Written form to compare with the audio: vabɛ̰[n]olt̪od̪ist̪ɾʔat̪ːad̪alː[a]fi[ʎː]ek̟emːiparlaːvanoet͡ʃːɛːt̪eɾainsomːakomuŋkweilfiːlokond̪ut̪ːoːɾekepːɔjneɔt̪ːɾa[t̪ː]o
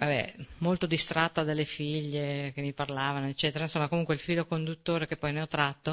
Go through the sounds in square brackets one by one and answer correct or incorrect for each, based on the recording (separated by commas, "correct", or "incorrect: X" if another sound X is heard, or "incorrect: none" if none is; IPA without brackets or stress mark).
incorrect: m, incorrect: e, correct, correct